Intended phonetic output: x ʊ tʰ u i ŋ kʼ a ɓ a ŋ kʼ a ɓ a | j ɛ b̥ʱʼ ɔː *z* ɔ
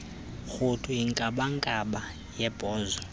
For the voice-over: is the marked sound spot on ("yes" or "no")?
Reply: yes